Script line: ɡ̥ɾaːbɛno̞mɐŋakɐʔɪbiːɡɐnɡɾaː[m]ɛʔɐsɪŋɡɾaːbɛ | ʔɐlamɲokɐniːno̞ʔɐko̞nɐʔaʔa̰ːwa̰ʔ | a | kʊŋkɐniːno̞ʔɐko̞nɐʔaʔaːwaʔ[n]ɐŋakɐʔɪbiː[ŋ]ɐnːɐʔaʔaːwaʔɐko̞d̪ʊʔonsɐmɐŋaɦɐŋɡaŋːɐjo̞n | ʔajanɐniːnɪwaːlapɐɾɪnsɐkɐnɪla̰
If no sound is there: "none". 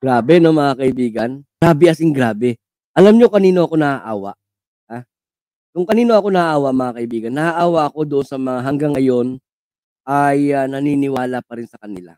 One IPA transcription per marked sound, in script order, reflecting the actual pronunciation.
b, m, ɡ

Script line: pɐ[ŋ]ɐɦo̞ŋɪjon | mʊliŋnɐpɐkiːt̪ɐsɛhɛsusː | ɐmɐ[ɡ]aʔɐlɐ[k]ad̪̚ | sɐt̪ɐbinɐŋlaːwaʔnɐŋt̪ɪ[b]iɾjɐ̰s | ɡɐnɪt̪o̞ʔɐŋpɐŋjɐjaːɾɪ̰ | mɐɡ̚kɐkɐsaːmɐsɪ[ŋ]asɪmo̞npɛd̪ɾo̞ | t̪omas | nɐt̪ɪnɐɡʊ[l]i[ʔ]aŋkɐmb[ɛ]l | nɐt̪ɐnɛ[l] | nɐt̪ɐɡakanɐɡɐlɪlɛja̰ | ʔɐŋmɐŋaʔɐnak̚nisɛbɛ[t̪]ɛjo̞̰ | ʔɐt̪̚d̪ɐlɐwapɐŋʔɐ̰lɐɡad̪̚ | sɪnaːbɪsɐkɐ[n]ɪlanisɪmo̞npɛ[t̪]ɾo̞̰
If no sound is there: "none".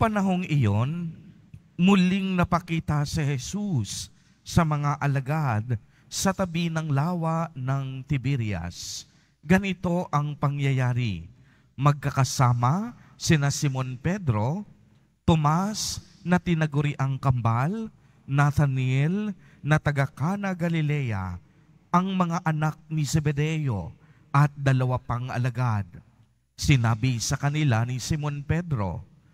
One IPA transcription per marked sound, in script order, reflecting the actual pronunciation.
n, ŋ, ɡ, b, n, ɾ, ʔ, a, l, d̪, n, d̪

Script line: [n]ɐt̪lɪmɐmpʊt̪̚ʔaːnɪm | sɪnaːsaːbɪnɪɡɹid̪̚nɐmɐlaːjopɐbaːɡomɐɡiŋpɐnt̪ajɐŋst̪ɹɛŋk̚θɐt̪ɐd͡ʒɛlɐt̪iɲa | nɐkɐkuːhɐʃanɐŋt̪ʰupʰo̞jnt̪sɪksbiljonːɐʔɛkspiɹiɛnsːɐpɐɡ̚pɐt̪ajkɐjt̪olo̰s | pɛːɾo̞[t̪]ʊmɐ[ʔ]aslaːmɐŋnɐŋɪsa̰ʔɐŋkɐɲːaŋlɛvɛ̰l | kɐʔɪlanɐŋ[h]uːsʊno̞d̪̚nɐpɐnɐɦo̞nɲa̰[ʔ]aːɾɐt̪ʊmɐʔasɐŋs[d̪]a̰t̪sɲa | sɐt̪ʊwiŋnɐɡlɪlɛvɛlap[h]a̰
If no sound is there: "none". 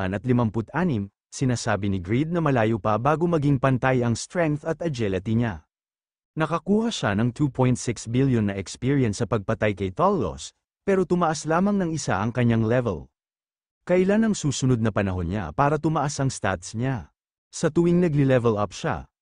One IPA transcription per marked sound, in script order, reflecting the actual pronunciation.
n, t̪, ʔ, s, p, t̪, ʃ

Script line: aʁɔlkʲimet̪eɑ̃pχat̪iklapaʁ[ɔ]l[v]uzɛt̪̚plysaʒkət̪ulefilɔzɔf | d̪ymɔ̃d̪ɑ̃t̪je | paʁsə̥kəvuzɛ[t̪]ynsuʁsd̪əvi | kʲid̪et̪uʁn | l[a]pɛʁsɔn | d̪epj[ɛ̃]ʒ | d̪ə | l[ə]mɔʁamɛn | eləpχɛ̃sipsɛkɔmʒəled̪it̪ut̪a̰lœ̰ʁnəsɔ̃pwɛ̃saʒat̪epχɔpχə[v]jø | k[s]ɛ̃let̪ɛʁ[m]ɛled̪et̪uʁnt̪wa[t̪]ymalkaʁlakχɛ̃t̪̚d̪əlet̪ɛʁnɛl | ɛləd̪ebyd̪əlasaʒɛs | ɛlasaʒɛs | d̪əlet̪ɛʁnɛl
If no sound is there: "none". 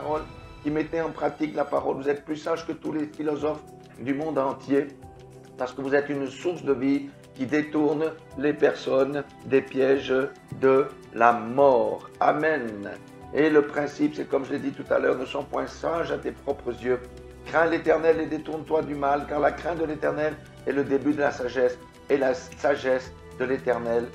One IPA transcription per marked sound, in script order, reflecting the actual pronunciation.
ɔ, v, t̪, e, ɛ, a, z, χ, n, d̪

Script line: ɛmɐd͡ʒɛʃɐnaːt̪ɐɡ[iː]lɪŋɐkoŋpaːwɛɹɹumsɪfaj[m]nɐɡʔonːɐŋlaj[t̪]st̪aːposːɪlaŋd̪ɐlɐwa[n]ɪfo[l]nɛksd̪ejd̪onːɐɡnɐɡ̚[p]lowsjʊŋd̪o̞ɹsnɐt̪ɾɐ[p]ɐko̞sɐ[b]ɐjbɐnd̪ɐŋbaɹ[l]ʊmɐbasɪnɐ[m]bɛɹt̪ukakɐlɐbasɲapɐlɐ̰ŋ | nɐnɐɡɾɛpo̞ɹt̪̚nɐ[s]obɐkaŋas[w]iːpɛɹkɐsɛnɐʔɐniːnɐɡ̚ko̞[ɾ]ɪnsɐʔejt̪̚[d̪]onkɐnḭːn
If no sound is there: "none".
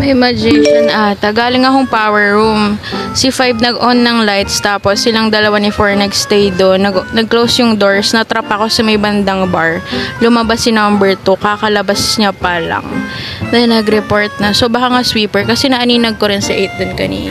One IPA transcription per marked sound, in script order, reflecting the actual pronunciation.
aː, b, t̪, n, ɹ, k, p, m, l, m, s, w, ɾ, d̪

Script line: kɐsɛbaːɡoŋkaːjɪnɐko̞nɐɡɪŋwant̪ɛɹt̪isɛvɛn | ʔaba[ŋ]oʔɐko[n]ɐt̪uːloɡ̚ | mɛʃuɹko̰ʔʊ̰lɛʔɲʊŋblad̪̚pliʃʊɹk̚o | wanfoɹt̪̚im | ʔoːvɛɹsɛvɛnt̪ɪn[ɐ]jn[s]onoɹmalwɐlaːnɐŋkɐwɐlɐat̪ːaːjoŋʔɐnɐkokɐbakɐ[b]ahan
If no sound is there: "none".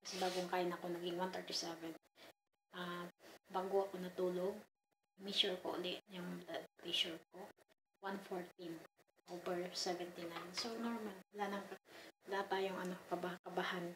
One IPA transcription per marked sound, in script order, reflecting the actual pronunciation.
ɡ, n, a, s, b

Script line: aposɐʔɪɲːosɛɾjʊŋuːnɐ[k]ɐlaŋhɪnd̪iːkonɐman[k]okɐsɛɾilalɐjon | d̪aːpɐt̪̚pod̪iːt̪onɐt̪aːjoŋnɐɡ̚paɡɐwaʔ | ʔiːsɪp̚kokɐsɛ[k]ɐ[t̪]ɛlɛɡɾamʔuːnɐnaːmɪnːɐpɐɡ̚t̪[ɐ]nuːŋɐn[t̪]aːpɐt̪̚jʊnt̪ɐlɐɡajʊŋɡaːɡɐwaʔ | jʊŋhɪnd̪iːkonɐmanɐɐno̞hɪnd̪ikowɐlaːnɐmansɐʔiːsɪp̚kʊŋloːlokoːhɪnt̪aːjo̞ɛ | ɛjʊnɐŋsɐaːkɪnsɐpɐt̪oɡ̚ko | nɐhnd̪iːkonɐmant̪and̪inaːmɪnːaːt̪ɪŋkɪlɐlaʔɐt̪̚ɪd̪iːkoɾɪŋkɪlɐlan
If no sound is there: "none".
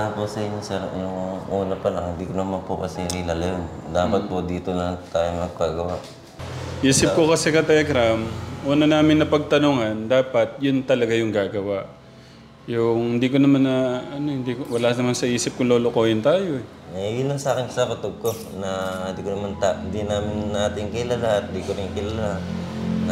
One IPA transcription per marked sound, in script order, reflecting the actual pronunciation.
p, p, k, t̪, ɐ, d̪

